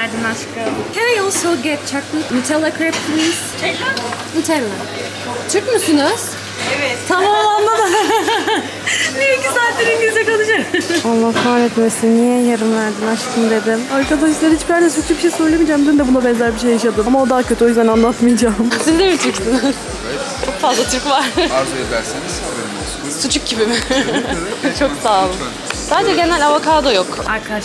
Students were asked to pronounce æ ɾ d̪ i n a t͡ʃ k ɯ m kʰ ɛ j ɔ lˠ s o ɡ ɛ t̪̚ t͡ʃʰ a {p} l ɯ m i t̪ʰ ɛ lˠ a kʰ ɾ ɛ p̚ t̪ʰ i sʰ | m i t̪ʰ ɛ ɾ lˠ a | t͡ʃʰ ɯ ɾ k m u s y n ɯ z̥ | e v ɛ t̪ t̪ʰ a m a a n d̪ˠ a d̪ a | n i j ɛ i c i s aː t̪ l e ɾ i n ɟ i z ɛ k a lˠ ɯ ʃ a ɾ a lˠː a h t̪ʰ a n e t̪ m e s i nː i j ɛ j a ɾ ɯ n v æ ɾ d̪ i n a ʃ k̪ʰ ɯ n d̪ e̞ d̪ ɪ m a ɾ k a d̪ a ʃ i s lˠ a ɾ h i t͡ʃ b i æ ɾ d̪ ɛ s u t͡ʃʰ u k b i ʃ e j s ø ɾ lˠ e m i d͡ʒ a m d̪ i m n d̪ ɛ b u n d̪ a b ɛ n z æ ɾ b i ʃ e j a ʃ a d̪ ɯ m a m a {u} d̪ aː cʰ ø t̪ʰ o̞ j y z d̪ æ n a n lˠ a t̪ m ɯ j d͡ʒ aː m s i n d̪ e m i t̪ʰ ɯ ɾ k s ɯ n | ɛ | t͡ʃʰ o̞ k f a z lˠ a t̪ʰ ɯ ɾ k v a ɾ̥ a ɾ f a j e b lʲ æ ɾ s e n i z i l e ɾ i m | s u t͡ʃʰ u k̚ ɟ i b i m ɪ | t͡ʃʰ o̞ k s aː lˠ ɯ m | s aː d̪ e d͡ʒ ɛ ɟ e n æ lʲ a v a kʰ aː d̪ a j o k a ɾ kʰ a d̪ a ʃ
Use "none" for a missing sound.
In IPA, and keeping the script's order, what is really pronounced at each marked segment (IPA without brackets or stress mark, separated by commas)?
k, o